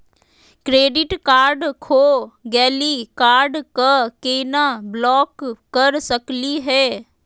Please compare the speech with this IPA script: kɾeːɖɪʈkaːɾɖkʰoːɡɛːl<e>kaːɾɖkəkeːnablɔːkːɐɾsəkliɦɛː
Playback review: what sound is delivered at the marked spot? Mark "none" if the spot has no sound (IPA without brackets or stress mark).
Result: i